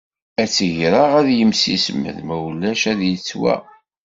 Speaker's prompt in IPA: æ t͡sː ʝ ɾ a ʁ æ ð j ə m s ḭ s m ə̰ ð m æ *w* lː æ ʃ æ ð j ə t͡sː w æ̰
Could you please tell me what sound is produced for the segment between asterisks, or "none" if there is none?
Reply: w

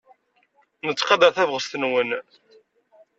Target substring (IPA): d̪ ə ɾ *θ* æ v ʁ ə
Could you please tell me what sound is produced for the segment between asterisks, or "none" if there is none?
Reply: θ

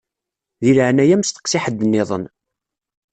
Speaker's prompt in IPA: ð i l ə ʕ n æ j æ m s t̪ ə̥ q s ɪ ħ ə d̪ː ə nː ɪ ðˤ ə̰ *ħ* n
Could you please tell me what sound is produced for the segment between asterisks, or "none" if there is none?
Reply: none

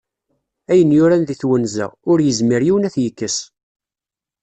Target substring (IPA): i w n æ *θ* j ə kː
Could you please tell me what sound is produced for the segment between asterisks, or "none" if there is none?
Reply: θ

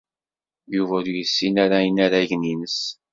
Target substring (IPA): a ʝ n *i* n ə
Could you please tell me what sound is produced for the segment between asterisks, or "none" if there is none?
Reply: i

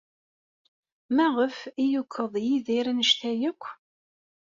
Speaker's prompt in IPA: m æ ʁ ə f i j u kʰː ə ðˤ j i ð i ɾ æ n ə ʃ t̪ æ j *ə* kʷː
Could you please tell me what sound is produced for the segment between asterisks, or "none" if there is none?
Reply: ə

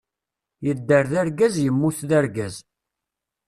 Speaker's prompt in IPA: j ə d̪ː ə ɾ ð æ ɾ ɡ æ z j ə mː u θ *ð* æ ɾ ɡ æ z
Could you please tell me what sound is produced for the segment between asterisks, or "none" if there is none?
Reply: ð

